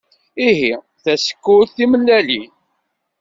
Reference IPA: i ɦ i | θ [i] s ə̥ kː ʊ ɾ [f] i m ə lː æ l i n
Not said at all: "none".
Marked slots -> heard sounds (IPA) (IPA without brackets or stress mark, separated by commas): æ, θ